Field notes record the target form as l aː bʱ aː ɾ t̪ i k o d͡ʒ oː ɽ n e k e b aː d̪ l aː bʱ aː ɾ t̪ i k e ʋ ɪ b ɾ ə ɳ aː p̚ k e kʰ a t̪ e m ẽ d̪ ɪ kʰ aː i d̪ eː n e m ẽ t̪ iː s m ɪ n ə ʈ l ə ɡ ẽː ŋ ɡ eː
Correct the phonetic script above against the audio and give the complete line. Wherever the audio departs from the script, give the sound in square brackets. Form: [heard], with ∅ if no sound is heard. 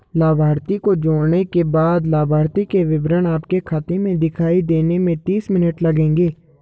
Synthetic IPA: l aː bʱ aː ɾ t̪ i k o d͡ʒ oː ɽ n e k e b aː d̪ l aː bʱ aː ɾ t̪ i k e ʋ ɪ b ɾ ə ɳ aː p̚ k e kʰ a t̪ e m ẽ d̪ ɪ kʰ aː i d̪ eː n e m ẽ t̪ iː s m ɪ n ə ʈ l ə ɡ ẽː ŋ ɡ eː

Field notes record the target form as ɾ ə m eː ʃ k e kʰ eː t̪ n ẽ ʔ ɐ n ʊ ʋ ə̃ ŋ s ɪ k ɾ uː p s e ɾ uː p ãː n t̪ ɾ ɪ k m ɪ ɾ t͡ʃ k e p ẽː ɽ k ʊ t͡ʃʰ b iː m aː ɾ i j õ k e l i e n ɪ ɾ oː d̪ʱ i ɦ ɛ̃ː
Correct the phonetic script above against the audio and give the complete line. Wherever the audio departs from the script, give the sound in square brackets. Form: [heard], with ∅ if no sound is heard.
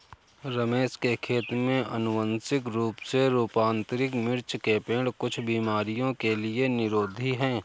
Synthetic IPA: ɾ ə m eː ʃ k e kʰ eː t̪ [m] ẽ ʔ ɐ n ʊ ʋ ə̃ [n] s ɪ k ɾ uː p s e ɾ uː p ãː n t̪ ɾ ɪ k m ɪ ɾ t͡ʃ k e p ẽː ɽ k ʊ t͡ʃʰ b iː m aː ɾ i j õ k e l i e n ɪ ɾ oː d̪ʱ i ɦ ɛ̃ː

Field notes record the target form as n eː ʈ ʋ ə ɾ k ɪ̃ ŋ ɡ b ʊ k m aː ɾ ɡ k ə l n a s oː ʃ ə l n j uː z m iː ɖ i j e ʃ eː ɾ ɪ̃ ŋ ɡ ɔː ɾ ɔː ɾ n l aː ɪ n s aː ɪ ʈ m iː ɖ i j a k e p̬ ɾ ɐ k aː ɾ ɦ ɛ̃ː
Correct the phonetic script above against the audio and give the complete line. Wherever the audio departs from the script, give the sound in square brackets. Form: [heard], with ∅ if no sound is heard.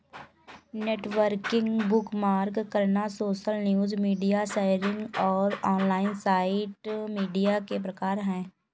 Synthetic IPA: n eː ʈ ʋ ə ɾ k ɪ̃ ŋ ɡ b ʊ k m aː ɾ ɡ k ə [ɾ] n a s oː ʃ ə l n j uː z m iː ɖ i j [a] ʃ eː ɾ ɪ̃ ŋ ɡ ɔː ɾ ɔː [∅] n l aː ɪ n s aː ɪ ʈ m iː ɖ i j a k e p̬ ɾ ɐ k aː ɾ ɦ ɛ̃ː

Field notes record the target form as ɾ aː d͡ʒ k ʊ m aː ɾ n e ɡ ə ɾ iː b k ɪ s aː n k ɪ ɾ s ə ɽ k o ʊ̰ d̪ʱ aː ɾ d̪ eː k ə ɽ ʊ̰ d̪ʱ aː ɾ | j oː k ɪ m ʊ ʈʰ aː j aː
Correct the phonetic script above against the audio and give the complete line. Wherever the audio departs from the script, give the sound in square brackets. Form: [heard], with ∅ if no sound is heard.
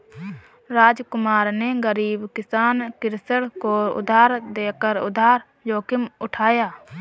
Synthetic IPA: ɾ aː d͡ʒ k ʊ m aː ɾ n e ɡ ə ɾ iː b k ɪ s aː n k ɪ ɾ s ə ɽ k o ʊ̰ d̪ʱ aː ɾ d̪ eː k ə [ɾ] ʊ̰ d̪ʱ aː ɾ | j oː k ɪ m ʊ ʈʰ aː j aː

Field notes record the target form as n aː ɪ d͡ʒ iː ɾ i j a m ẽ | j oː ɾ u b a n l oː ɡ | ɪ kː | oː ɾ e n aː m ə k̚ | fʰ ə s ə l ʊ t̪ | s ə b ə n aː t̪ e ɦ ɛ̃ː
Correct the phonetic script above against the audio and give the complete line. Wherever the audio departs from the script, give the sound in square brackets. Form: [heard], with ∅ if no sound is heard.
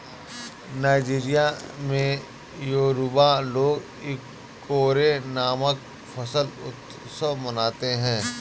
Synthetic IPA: n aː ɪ d͡ʒ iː ɾ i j a m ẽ | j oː ɾ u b a [∅] l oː ɡ | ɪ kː | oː ɾ e n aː m ə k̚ | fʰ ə s ə l ʊ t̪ | s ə [m] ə n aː t̪ e ɦ ɛ̃ː

